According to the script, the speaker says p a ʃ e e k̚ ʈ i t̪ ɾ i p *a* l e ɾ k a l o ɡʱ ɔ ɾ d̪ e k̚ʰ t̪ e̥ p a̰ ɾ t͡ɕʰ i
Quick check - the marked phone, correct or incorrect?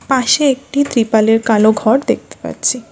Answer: correct